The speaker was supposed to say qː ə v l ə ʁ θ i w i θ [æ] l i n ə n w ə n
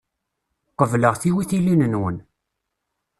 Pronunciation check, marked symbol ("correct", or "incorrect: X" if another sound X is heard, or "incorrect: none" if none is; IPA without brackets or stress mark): incorrect: i